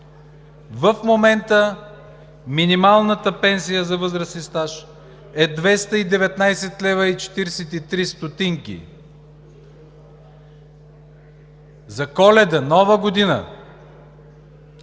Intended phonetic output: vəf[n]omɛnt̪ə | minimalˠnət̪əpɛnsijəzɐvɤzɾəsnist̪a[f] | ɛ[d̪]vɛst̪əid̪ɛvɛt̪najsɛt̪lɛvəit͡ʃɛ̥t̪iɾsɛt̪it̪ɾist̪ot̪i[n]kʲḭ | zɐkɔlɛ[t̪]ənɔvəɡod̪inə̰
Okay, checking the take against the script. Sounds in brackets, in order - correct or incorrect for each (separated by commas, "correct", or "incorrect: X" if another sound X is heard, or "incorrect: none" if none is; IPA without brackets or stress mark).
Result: incorrect: m, incorrect: ʃ, correct, incorrect: ŋ, incorrect: d̪